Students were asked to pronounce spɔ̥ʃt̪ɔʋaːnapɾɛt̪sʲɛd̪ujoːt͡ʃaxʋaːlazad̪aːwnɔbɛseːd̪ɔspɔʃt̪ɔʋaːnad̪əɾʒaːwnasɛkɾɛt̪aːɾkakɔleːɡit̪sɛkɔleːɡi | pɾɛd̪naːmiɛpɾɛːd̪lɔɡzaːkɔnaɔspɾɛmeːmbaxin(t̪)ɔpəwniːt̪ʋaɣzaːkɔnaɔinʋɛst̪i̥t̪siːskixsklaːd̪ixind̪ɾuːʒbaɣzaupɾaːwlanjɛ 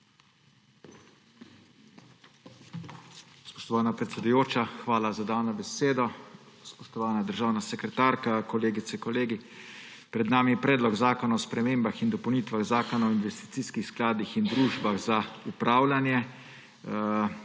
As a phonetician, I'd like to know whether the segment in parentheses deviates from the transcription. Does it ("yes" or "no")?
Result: yes